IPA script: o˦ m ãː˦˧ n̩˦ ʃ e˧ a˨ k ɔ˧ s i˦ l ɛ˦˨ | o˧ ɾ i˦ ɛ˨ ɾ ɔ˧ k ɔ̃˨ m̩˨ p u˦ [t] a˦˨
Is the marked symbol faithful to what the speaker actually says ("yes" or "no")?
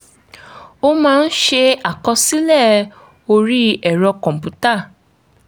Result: yes